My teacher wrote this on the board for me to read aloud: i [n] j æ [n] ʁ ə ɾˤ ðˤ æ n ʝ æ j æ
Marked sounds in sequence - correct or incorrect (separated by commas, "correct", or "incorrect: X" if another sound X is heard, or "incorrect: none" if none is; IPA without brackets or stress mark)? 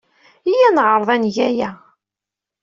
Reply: incorrect: none, correct